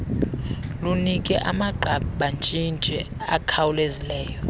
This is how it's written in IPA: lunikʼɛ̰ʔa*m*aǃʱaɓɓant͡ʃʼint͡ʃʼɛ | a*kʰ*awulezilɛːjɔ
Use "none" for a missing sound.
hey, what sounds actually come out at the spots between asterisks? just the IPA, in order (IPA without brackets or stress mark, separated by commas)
m, kʰ